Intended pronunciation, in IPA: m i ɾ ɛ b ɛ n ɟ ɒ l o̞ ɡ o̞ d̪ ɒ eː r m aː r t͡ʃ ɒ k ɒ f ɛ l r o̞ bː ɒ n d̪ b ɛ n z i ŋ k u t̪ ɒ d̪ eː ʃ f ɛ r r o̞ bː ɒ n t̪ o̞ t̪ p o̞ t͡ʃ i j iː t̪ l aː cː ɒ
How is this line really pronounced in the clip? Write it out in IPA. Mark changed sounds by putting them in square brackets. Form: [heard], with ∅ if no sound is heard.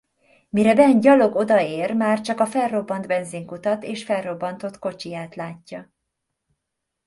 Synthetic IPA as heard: m i ɾ ɛ b ɛ n ɟ ɒ l o̞ ɡ o̞ d̪ ɒ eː r m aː r t͡ʃ ɒ k ɒ f ɛ l r o̞ bː ɒ n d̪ b ɛ n z i ŋ k u t̪ ɒ [t̪] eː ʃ f ɛ [l] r o̞ bː ɒ n t̪ o̞ t̪ [k] o̞ t͡ʃ i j [aː] t̪ l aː cː ɒ